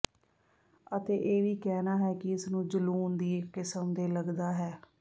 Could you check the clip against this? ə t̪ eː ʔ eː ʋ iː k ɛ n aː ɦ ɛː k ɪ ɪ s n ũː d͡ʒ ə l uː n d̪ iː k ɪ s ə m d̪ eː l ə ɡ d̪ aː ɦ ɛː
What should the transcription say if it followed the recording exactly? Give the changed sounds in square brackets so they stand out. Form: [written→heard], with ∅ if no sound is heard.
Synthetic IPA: ə t̪ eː ʔ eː ʋ iː k [ɛ→ɛː] n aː ɦ ɛː k ɪ ɪ s n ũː d͡ʒ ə l uː n d̪ iː k ɪ s ə m d̪ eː l ə ɡ d̪ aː ɦ ɛː